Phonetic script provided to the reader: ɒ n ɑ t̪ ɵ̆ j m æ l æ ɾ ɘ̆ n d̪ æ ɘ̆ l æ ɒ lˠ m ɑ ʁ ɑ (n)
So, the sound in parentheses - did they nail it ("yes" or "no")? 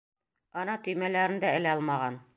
yes